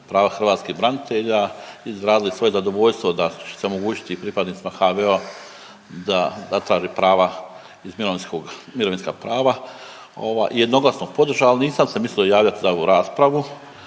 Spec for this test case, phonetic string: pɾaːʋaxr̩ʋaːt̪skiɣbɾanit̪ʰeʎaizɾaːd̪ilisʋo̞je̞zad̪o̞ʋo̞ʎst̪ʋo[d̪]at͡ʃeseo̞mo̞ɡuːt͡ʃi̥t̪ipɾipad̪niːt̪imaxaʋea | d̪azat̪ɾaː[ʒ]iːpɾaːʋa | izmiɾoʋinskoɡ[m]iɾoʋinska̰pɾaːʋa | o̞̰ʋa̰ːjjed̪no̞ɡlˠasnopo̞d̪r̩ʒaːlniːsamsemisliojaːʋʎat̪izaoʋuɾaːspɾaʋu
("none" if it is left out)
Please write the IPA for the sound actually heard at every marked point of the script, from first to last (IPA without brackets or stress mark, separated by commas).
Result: d̪, ʒ, m